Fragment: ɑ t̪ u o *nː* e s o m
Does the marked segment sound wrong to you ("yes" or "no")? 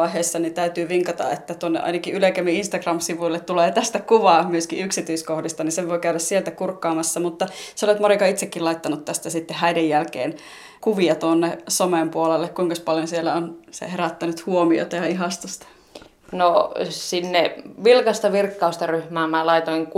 no